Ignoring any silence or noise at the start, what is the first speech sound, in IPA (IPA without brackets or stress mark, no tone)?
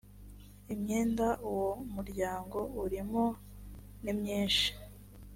i